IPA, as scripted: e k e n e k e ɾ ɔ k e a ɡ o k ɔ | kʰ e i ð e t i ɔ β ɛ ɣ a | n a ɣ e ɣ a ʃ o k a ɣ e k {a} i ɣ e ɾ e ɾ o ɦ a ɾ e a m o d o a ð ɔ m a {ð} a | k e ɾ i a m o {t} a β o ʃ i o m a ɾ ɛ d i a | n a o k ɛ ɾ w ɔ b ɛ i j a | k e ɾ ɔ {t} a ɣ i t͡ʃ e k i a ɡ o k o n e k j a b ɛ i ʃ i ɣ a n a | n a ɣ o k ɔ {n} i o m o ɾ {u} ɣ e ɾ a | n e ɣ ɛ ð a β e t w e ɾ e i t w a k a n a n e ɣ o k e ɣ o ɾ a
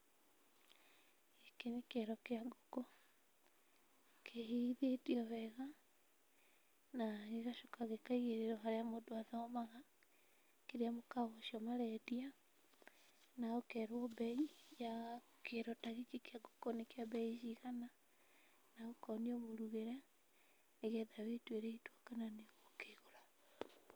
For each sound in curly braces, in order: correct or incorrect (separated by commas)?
correct, incorrect, incorrect, correct, correct, correct